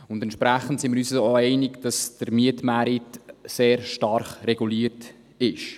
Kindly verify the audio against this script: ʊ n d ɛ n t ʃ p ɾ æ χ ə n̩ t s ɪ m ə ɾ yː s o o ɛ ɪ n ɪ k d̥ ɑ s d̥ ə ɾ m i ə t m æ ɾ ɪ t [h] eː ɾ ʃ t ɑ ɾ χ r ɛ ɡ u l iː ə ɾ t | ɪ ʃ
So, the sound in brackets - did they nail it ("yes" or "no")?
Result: no